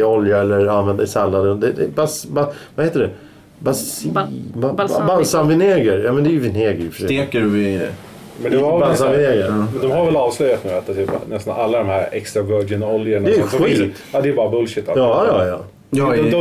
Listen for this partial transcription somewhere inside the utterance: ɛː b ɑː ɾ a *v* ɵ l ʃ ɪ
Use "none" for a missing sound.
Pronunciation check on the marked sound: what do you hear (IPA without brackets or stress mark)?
b